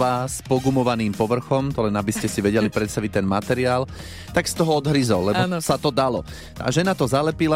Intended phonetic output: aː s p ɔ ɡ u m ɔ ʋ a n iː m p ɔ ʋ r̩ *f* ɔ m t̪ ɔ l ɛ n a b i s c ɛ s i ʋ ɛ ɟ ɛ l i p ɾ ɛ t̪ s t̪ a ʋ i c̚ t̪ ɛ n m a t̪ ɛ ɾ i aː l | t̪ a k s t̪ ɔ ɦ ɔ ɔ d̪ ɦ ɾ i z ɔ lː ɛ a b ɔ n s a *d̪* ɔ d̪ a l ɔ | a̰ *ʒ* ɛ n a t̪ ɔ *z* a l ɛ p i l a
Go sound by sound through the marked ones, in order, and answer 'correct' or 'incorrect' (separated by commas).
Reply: incorrect, incorrect, correct, correct